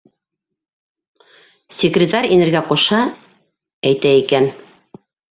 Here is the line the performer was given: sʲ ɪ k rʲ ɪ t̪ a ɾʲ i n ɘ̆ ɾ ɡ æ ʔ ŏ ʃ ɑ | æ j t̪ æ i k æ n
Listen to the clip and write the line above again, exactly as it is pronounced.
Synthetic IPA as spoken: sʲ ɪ k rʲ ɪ t̪ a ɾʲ i n ɘ̆ ɾ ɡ æ q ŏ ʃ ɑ | æ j t̪ æ i k æ n